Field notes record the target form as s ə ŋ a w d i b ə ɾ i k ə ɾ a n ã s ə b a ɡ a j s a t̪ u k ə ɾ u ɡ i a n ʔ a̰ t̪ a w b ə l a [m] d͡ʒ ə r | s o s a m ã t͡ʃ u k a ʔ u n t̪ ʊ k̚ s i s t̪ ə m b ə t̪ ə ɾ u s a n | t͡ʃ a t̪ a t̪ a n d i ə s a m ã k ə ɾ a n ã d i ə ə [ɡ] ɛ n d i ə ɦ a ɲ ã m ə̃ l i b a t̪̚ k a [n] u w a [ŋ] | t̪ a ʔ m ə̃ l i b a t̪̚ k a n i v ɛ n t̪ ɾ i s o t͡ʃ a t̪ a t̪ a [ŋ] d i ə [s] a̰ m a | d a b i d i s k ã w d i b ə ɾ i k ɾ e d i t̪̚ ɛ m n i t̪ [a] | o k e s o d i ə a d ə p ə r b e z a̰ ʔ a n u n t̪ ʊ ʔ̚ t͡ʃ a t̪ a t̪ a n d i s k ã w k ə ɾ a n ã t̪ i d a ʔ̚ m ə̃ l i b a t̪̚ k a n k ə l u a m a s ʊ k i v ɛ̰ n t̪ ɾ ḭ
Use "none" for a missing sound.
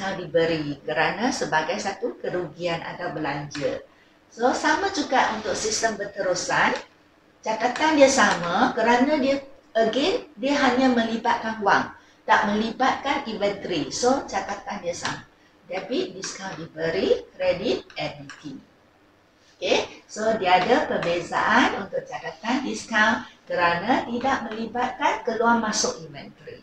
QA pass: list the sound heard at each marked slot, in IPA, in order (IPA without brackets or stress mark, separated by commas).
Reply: ɲ, ɡ, n, ŋ, n, s, i